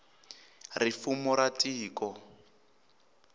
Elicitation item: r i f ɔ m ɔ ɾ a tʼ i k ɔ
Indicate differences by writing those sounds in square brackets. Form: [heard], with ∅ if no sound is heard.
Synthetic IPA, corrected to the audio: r i f [u] m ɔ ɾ a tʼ [iː] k ɔ